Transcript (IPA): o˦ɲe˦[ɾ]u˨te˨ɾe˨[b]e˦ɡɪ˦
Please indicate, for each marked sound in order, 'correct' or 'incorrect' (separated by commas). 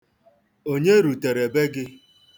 correct, correct